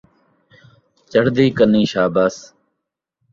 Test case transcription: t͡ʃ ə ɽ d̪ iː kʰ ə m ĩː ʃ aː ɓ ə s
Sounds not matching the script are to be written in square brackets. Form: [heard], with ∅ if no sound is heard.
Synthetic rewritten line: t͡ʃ ə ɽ d̪ iː [k] ə [n] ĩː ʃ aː [b] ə s

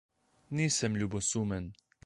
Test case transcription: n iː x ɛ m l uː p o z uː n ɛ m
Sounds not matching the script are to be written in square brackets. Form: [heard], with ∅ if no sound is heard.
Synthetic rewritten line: n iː [s] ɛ m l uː [b] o [s] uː [m] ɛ [n]

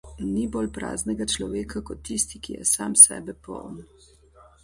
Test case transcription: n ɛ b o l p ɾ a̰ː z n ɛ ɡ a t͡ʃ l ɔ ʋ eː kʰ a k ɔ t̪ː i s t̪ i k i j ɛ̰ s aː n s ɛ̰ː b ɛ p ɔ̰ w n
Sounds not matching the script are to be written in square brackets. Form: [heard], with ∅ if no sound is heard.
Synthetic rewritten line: n [i] b o l p ɾ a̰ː z n ɛ ɡ a t͡ʃ l ɔ ʋ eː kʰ a k ɔ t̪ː i s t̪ i k i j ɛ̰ s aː [m] s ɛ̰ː b ɛ p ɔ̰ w n

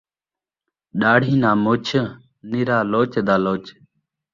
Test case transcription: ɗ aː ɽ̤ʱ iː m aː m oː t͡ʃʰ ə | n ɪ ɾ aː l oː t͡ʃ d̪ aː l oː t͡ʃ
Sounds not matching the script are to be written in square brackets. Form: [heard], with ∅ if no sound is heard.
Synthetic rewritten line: ɗ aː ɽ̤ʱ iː [n] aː m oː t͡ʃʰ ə | n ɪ ɾ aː l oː t͡ʃ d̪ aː l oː t͡ʃ

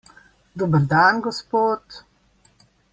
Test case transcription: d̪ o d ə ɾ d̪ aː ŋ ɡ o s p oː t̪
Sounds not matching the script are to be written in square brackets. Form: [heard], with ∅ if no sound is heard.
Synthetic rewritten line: d̪ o [b] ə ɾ d̪ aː [n] ɡ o s p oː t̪

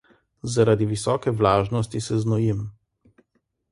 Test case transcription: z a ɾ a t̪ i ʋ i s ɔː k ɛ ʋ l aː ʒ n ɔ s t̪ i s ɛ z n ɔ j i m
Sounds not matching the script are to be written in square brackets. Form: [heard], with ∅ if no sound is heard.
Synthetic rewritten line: z a ɾ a [d̪] i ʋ i s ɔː k ɛ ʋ l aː ʒ n ɔ s t̪ i s ɛ z n ɔ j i m

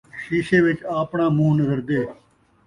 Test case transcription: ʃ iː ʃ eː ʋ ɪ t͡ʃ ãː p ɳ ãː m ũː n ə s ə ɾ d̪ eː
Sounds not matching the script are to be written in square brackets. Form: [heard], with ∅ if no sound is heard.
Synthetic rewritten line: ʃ iː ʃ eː ʋ ɪ t͡ʃ [aː] p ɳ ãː m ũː n ə [z] ə ɾ d̪ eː

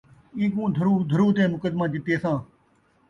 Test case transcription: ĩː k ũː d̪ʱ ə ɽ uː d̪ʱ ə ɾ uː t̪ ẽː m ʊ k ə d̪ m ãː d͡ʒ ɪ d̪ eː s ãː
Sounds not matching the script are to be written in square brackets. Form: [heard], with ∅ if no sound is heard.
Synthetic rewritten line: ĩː k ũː d̪ʱ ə [ɾ] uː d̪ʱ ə ɾ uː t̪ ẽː m ʊ k ə d̪ m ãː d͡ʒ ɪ [t̪] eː s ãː

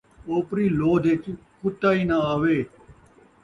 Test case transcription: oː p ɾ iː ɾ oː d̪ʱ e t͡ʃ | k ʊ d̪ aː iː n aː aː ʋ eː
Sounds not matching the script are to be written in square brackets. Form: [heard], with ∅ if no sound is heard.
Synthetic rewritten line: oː p ɾ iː [l] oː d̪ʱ e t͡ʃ | k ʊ [t̪] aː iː n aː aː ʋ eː

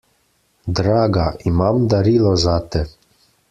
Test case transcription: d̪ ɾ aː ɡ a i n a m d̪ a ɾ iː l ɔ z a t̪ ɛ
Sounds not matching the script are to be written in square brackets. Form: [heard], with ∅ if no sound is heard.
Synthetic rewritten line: d̪ ɾ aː ɡ a i [m] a m d̪ a ɾ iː l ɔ z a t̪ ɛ

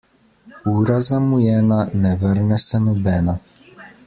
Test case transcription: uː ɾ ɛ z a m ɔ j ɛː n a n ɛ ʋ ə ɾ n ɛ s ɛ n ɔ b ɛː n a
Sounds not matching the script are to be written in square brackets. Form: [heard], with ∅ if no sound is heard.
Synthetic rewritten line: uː ɾ [a] z a m [u] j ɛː n a n ɛ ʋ ə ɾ n ɛ s ɛ n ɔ b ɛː n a

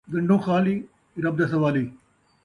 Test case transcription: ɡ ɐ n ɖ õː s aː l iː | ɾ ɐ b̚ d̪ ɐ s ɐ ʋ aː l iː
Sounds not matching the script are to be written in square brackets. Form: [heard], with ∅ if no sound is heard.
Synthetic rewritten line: ɡ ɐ [ɳ] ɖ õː [x] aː l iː | ɾ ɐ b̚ d̪ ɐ s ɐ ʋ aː l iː

